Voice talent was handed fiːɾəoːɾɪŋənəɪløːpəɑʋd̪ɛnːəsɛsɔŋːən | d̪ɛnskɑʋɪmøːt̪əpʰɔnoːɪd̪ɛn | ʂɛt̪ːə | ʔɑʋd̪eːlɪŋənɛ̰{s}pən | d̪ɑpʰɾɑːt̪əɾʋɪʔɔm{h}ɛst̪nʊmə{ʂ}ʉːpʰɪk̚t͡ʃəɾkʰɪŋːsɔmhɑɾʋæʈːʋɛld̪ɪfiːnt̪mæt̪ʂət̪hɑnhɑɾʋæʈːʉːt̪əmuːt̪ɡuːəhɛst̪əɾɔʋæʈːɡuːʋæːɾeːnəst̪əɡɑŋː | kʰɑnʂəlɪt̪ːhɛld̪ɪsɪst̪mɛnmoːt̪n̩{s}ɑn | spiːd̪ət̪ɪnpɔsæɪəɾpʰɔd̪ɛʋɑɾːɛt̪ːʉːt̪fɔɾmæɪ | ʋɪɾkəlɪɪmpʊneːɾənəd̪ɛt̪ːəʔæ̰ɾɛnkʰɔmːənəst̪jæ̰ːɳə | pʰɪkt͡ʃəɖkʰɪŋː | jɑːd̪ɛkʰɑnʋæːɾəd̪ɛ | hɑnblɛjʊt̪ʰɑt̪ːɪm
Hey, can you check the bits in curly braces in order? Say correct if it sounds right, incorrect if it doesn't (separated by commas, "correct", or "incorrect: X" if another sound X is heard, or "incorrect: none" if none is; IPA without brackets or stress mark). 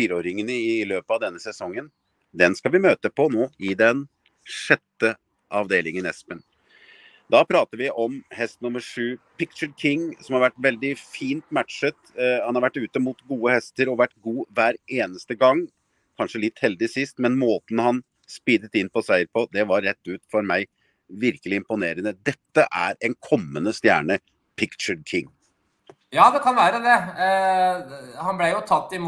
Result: correct, correct, correct, incorrect: h